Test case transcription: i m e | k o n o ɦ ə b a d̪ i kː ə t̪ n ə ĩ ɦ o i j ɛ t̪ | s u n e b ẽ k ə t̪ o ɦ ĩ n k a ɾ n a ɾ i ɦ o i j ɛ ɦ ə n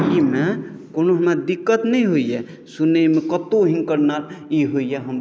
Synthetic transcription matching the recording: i m e | k o n o ɦ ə m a d̪ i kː ə t̪ n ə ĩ ɦ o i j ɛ | s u n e m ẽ k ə t̪ o ɦ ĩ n k ə ɾ n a ɾ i ɦ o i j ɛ ɦ ə m